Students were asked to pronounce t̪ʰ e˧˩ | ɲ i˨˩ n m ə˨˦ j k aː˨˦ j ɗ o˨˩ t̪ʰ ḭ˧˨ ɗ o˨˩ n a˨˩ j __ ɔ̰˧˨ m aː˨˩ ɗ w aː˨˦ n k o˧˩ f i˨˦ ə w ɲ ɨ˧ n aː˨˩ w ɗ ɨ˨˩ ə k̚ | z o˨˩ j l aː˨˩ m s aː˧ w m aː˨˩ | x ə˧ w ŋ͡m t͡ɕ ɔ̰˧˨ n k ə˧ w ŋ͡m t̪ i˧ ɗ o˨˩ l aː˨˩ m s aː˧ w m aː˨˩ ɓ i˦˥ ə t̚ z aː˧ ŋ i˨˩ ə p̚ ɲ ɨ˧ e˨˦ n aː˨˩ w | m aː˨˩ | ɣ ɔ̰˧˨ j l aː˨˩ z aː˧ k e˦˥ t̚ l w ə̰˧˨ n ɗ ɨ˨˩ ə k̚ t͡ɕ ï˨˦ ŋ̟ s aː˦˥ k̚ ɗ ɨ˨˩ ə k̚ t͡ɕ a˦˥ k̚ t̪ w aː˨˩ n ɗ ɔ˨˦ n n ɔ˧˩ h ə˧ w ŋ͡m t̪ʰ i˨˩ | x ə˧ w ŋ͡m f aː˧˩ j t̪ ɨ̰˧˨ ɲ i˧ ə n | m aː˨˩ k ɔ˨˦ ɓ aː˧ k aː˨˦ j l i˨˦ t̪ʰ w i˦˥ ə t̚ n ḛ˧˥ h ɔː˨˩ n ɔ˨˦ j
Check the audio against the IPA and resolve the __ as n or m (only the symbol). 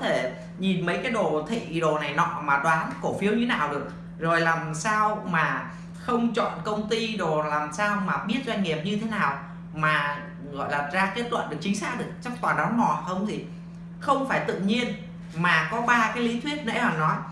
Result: n